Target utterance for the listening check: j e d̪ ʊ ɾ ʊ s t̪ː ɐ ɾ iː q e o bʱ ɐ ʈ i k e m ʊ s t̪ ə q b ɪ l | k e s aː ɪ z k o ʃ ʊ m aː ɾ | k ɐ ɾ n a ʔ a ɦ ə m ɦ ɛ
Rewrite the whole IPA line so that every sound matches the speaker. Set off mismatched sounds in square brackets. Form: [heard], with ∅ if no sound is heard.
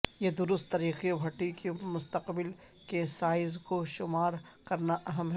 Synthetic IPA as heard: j e d̪ ʊ ɾ ʊ s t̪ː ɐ ɾ iː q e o bʱ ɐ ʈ i k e m ʊ s t̪ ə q b ɪ l | k e s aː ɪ z k o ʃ ʊ m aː ɾ | k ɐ ɾ n a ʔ [ɐ] ɦ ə m ɦ ɛ